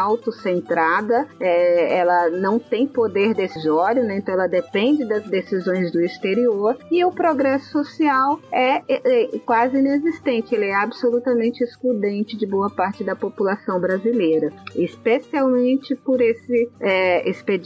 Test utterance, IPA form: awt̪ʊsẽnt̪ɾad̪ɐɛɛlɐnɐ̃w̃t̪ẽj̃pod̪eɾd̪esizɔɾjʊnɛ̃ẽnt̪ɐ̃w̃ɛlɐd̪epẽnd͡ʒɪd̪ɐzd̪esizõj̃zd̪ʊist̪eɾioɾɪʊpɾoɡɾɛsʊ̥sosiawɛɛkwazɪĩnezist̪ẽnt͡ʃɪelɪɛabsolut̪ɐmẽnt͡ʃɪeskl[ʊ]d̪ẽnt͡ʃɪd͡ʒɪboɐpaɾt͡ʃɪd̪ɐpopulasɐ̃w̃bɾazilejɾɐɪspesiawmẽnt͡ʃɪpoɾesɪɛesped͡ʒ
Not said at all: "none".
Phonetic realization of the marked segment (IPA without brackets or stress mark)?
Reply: u